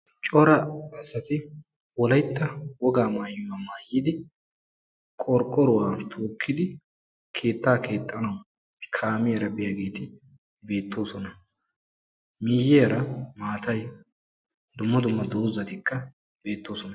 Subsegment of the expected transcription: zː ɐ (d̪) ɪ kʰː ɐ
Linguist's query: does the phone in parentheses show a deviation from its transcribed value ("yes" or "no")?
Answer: yes